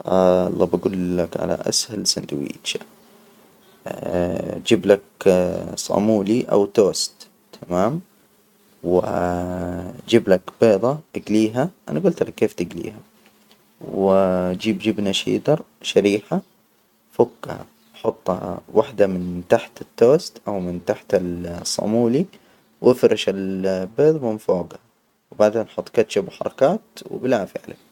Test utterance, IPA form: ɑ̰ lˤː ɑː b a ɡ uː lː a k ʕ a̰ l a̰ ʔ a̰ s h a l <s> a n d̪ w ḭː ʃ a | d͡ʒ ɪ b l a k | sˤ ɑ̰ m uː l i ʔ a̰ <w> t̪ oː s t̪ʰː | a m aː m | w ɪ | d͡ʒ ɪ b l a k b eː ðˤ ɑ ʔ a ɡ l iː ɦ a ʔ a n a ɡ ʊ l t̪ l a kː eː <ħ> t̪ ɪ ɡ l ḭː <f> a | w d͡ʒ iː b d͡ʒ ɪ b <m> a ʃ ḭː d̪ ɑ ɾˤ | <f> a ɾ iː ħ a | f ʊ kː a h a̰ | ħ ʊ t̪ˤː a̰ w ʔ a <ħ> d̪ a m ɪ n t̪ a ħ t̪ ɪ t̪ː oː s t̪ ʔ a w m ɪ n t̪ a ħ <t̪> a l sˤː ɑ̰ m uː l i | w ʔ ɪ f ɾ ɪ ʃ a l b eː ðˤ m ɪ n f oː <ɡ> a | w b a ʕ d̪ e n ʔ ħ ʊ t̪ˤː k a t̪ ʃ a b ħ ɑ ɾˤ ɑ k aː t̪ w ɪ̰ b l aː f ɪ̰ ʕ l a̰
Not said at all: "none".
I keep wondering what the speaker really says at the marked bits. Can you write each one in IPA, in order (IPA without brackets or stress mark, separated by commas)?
s, w, f, h, n, ʃ, ħ, t̪, ɡ